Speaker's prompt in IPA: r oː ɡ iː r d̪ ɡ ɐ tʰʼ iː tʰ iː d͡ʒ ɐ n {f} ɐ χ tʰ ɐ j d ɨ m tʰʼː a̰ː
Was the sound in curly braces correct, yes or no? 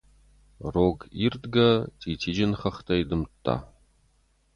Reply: no